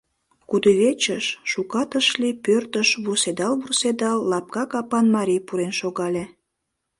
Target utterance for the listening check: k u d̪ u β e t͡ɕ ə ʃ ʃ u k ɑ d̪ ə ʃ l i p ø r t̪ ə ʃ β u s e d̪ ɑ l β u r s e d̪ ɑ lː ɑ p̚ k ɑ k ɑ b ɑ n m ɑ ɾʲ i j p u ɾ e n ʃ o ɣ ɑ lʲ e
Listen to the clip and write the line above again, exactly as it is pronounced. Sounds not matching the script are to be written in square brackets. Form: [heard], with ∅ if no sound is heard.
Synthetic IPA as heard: k u d̪ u β e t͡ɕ ə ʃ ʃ u k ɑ [t̪] ə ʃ l i p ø r t̪ ə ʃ β u s e d̪ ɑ l β u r s e d̪ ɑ lː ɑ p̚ k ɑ k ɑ [p] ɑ n m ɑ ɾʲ i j p u ɾ e n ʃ o ɣ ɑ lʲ e